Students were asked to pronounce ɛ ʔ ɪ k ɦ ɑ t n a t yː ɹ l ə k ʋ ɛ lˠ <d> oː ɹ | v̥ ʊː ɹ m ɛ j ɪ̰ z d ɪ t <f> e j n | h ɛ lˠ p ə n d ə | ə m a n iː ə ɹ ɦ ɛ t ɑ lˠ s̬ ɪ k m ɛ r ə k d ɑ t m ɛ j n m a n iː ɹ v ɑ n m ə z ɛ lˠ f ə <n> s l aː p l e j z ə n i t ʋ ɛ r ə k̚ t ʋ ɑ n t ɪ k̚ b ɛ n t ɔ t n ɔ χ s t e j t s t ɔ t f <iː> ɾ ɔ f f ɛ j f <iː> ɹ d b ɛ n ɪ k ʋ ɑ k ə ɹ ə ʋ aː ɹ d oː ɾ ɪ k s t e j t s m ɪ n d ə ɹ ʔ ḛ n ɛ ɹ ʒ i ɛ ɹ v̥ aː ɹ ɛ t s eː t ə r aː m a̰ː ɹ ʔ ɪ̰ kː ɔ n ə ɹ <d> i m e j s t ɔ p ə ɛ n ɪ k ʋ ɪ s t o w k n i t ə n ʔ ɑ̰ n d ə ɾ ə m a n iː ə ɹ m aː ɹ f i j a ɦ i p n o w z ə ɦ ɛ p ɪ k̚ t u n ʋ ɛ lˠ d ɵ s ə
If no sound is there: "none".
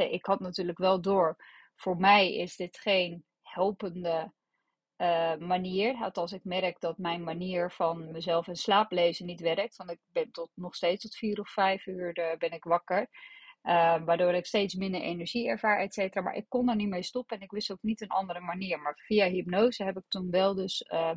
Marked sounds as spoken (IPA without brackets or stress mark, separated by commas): d, χ, n, iː, yː, n